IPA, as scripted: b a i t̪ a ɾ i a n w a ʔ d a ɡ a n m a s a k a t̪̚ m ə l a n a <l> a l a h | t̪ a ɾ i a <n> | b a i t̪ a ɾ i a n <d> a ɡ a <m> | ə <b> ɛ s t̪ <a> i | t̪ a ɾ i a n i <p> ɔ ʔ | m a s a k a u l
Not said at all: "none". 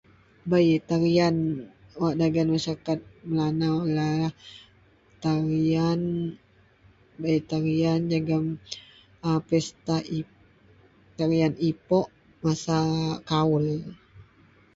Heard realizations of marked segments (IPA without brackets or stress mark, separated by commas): l, n, d͡ʒ, m, p, a, p